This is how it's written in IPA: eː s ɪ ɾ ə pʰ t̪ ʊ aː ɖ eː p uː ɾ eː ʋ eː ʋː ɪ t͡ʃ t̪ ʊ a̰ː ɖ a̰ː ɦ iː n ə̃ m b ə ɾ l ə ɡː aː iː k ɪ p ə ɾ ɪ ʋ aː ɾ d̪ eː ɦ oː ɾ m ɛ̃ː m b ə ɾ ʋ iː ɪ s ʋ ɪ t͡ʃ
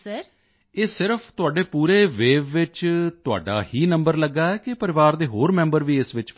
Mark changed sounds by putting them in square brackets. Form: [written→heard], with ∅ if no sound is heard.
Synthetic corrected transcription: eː s ɪ ɾ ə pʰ t̪ ʊ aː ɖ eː p uː ɾ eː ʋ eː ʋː ɪ t͡ʃ t̪ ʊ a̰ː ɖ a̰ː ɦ iː n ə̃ m b ə ɾ l ə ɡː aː [iː→ɛː] k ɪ p ə ɾ ɪ ʋ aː ɾ d̪ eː ɦ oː ɾ m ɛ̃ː m b ə ɾ ʋ iː ɪ s ʋ ɪ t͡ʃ